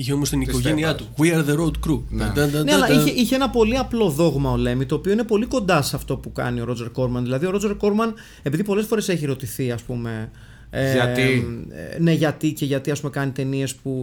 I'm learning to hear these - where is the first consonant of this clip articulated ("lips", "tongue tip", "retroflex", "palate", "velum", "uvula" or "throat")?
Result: palate